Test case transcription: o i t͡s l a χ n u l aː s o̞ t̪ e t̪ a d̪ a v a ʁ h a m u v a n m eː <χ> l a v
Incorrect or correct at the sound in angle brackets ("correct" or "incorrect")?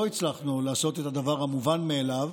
incorrect